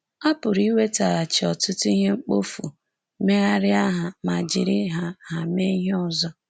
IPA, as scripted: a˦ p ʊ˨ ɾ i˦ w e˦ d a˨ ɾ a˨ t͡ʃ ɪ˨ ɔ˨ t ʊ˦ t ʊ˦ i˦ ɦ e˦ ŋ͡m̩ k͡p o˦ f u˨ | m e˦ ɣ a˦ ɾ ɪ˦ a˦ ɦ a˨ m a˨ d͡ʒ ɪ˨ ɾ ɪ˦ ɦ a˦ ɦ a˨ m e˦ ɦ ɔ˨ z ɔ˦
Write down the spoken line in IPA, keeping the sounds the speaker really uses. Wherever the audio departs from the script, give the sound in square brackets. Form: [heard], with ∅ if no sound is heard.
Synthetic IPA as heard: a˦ p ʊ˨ ɾ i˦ w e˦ [t] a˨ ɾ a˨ t͡ʃ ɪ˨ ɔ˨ t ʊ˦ t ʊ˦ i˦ ɦ e˦ ŋ͡m̩ k͡p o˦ f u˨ | m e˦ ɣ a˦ ɾ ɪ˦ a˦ ɦ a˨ m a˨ d͡ʒ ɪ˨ ɾ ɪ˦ ɦ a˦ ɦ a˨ m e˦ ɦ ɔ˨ z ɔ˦